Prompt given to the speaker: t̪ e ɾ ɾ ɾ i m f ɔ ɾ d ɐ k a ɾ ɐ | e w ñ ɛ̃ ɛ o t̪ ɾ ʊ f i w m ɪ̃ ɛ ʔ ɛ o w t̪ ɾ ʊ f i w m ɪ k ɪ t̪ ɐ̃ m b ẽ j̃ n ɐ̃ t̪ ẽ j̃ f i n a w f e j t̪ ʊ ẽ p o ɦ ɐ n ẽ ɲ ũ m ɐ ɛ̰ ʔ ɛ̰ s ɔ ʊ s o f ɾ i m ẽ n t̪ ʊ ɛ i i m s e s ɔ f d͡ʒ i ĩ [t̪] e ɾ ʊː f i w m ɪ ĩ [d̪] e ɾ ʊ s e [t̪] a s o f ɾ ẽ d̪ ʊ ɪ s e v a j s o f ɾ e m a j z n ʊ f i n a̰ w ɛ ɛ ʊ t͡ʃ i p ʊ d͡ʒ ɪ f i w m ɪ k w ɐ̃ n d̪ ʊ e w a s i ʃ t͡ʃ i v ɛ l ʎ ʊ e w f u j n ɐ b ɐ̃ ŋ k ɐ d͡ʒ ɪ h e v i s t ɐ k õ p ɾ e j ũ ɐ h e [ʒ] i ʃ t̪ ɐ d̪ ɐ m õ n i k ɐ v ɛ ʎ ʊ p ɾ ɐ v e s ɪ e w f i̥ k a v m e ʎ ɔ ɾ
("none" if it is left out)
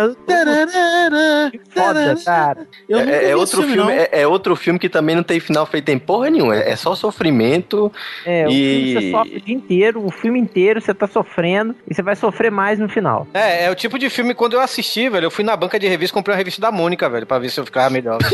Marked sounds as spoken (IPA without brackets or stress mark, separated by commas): t̪, t̪, t̪, v